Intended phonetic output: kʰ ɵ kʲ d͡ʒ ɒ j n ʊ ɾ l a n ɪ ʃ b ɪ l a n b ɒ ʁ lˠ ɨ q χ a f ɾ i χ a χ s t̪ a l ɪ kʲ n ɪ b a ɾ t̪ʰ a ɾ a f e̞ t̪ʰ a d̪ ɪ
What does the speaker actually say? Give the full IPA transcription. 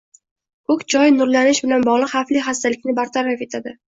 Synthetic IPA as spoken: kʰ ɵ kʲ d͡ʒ ɒ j n ʊ ɾ l a n ɪ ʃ b ɪ l a n b ɒ ʁ lˠ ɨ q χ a f l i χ a s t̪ a l ɪ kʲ n ɪ b a ɾ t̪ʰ a ɾ a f e̞ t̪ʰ a d̪ ɪ